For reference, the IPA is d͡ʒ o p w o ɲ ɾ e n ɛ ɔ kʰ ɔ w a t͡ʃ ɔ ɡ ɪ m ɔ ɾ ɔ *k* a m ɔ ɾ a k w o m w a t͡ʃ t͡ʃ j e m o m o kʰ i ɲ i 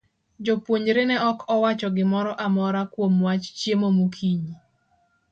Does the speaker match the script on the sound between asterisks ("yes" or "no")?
no